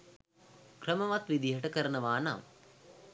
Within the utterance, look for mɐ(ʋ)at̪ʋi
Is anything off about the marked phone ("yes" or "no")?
no